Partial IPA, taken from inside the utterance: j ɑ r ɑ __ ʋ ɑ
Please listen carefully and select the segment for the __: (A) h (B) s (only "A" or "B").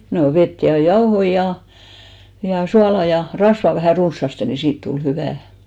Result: B